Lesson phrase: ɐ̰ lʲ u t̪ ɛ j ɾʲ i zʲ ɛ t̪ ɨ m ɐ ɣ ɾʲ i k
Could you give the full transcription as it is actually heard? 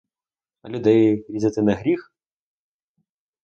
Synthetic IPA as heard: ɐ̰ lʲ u d̪ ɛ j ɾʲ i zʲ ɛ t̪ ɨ n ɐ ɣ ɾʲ i x